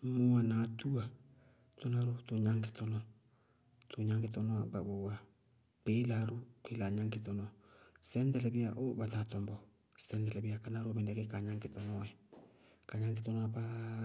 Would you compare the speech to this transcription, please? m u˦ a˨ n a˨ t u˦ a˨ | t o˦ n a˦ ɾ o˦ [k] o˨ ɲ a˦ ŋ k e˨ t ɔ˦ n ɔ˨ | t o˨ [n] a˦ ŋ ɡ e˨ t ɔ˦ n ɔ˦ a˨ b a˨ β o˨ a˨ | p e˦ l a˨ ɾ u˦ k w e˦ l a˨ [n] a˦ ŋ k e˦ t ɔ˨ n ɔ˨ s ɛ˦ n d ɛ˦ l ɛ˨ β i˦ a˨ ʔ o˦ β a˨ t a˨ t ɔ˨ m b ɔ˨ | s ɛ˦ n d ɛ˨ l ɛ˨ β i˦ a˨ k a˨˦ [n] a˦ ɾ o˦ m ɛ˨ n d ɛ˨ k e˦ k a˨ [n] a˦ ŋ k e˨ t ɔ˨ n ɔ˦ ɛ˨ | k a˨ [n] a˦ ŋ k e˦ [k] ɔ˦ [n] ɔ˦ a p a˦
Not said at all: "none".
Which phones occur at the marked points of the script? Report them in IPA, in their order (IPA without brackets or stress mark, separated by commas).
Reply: t, ɲ, ɲ, n, ɲ, ɲ, t, n